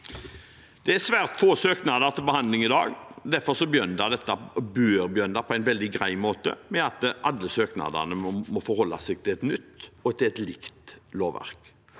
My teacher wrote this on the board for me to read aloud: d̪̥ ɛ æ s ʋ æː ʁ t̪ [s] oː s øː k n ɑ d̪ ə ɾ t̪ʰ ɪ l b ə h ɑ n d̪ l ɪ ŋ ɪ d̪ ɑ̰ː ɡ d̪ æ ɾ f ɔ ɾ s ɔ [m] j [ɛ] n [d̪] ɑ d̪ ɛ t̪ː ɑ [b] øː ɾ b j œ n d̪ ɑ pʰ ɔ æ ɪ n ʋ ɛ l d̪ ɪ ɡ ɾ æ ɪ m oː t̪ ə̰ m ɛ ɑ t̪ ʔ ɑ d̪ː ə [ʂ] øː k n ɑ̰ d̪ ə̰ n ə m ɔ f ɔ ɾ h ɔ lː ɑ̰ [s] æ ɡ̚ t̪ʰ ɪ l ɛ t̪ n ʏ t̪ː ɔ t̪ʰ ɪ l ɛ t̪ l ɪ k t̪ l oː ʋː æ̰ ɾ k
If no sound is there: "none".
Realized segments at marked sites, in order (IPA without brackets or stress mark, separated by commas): f, b, œ, d̪, b, s, s